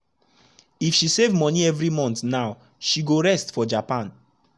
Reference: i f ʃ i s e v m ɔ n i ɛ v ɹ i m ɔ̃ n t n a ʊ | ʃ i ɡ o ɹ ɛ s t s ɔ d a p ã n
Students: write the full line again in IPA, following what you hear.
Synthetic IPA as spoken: i f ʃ i s e v m ɔ n i ɛ v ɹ i m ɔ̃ n t n a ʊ | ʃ i ɡ o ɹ ɛ s t f ɔ d͡ʒ a p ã n